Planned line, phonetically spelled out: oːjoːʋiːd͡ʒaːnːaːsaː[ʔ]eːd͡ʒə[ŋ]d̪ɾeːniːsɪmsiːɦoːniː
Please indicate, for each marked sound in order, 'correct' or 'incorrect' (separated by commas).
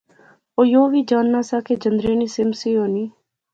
incorrect, incorrect